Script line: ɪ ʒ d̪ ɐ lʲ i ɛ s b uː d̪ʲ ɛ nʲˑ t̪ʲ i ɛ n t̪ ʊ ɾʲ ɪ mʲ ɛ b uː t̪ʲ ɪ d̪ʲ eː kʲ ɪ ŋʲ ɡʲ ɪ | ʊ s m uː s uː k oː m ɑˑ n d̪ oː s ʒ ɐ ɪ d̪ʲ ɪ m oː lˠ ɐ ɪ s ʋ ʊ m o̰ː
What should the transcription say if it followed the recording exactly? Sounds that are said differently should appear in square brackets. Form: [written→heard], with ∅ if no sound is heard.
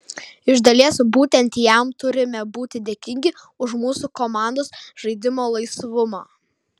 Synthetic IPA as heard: ɪ ʒ d̪ ɐ lʲ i ɛ s b uː [d̪ʲ→t̪ʲ] ɛ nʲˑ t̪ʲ [i→j] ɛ [n→m] t̪ ʊ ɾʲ ɪ mʲ ɛ b uː t̪ʲ ɪ d̪ʲ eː kʲ ɪ ŋʲ ɡʲ ɪ | ʊ [s→ʃ] m uː s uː k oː m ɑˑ n d̪ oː s ʒ ɐ ɪ d̪ʲ ɪ m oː lˠ ɐ ɪ s ʋ ʊ m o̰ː